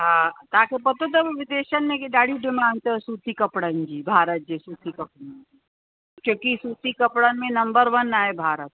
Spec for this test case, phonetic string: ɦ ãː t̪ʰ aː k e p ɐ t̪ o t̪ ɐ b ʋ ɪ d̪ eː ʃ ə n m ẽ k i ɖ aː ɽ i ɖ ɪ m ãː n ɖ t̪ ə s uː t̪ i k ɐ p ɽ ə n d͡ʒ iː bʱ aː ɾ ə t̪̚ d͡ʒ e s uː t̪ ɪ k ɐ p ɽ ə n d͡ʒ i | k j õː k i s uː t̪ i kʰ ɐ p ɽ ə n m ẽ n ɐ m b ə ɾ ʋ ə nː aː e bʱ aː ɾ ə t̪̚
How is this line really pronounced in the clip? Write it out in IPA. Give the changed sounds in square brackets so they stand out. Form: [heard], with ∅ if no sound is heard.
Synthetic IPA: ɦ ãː [t̪] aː k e p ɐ t̪ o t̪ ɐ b ʋ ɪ d̪ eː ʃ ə n m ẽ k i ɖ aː ɽ i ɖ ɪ m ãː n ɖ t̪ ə s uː t̪ i k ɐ p ɽ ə n d͡ʒ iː bʱ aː ɾ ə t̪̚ d͡ʒ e s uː t̪ [i] k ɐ p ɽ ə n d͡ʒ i | k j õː k i s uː t̪ i [k] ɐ p ɽ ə n m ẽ n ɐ m b ə ɾ ʋ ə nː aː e bʱ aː ɾ ə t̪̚